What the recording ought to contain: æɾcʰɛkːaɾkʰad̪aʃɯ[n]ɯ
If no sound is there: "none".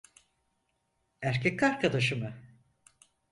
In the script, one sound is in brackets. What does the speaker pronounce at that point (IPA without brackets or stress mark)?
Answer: m